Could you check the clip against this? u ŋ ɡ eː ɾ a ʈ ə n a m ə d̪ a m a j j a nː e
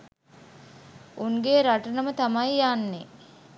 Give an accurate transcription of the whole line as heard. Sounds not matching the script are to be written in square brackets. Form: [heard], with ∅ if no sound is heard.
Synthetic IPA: u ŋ ɡ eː ɾ a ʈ ə n [ə] m ə [t̪] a m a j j a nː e